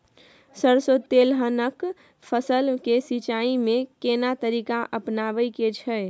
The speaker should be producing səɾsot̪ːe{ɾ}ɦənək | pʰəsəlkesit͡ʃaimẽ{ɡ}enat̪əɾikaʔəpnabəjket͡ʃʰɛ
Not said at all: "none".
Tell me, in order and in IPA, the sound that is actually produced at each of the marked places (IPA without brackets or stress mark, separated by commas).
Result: l, k